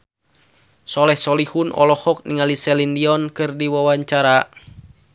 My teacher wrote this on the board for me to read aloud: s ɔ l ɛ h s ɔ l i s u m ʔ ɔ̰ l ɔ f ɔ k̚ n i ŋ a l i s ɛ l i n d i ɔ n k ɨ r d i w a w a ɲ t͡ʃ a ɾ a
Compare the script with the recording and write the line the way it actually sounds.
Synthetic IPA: s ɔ l ɛ h s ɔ l i h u n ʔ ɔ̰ l ɔ h ɔ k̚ n i ŋ a l i s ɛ l i n d i ɔ n k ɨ r d i w a w a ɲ t͡ʃ a ɾ a